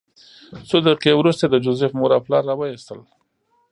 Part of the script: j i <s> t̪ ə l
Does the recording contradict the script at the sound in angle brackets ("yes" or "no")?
no